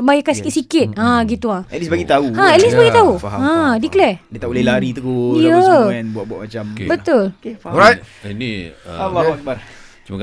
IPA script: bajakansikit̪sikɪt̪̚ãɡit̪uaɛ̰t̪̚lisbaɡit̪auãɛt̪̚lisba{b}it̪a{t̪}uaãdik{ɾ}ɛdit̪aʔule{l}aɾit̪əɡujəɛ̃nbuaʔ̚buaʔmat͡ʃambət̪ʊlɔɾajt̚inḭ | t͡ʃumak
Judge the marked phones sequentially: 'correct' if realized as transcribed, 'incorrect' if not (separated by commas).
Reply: incorrect, incorrect, incorrect, correct